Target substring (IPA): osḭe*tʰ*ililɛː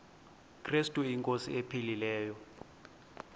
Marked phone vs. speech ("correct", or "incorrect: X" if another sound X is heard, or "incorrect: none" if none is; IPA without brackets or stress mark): incorrect: pʰ